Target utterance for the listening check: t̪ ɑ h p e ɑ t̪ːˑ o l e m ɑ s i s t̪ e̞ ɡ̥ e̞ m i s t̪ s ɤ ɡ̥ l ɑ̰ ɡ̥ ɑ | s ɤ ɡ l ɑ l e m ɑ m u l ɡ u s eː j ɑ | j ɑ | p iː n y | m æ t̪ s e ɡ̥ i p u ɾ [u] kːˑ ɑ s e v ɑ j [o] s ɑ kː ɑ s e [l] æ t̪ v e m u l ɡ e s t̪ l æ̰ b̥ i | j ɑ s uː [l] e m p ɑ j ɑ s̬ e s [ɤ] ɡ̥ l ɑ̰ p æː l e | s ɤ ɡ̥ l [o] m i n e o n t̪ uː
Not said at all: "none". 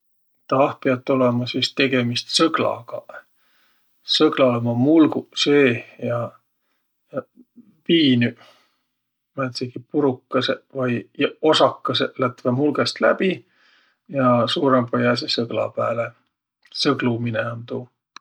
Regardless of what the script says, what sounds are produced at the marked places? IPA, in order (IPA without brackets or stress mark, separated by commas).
u, o, l, ɾ, ɤ, u